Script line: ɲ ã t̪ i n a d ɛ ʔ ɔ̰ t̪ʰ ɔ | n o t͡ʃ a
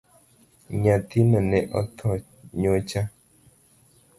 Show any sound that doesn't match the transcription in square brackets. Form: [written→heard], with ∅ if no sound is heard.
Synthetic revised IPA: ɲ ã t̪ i n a [d→n] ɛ ʔ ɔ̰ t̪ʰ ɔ | [n→ɲ] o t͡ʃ a